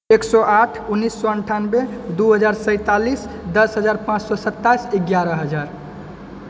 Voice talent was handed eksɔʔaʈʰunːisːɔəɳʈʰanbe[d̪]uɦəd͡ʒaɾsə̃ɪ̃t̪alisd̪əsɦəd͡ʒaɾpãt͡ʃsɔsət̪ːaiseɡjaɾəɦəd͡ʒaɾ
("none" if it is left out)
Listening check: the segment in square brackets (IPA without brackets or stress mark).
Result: d̪